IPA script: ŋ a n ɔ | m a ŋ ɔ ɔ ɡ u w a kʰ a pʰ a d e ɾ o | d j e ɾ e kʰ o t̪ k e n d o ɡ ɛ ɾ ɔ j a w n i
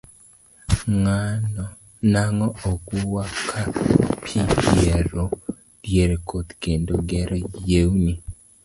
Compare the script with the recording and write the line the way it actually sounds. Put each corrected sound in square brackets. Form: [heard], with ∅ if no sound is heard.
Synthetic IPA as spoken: ŋ a n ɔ | [n] a ŋ ɔ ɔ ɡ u w a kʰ a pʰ [i] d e ɾ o | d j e ɾ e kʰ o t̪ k e n d o ɡ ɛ ɾ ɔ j [e] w n i